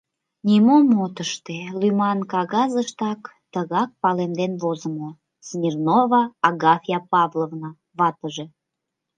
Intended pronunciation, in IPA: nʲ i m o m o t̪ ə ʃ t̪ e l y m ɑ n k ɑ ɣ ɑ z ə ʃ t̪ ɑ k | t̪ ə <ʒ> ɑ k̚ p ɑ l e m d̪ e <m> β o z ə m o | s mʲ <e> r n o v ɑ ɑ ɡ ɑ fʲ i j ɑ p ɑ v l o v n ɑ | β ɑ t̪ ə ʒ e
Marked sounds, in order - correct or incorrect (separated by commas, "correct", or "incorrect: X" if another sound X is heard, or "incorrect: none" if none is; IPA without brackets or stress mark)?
incorrect: ɣ, incorrect: n, incorrect: i